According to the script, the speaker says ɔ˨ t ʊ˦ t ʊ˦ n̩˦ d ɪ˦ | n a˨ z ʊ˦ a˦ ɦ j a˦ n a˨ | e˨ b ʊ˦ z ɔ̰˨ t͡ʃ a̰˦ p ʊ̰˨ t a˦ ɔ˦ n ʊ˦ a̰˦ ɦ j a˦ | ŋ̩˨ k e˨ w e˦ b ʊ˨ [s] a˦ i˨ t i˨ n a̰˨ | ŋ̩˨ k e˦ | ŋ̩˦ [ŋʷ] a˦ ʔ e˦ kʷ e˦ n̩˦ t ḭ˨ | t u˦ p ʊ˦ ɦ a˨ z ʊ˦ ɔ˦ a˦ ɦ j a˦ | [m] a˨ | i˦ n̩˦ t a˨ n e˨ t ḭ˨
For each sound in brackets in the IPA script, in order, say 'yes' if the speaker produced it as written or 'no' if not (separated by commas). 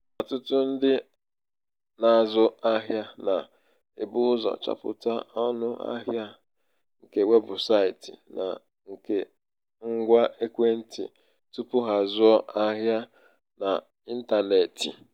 yes, no, no